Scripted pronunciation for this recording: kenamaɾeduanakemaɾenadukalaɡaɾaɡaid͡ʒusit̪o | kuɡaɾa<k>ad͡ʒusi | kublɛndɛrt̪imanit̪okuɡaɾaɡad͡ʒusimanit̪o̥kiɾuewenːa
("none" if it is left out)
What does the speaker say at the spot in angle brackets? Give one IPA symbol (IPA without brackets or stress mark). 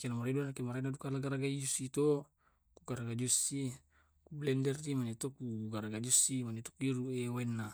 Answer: ɡ